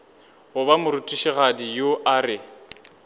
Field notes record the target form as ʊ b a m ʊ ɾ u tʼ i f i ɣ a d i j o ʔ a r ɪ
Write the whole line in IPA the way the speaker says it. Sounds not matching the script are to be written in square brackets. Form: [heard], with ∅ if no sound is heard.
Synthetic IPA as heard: ʊ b a m ʊ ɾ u tʼ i [ʃ] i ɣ a d i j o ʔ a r ɪ